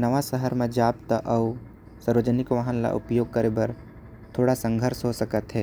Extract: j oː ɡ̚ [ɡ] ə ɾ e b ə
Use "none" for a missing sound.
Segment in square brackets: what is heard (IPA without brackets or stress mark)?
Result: k